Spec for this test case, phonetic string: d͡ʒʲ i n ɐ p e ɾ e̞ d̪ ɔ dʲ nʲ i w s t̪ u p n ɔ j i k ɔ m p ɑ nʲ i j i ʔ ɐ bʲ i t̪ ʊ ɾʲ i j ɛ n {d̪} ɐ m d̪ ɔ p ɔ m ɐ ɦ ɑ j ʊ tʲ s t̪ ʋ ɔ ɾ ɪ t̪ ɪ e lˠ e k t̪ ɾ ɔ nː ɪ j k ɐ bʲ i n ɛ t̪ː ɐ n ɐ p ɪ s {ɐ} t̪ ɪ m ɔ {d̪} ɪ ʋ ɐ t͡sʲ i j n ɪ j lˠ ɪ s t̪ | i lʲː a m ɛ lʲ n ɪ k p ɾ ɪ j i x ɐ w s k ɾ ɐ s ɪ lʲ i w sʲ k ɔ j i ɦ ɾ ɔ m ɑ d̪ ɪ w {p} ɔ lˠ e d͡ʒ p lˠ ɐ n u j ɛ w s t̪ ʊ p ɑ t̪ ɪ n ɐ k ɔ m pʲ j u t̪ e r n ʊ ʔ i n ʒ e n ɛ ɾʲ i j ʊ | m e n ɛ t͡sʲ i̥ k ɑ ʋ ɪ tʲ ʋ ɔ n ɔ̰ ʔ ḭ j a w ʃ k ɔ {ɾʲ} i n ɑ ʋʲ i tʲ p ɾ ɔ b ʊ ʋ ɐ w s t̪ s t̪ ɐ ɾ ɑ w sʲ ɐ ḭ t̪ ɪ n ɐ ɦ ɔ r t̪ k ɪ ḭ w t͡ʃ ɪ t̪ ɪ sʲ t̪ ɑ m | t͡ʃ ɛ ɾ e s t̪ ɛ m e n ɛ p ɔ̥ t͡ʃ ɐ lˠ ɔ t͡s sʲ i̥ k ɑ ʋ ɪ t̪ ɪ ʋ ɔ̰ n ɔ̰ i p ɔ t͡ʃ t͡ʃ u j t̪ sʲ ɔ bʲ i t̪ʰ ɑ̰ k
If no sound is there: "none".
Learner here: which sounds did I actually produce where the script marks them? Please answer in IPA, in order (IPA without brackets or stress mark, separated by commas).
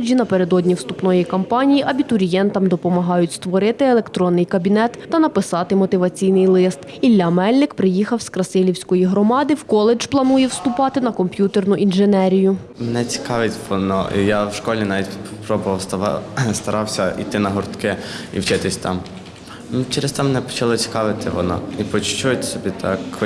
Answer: t̪, ɑ, t̪, k, lʲ